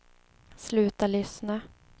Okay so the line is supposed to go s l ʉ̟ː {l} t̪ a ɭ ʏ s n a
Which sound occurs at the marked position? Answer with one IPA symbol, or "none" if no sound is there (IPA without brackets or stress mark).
none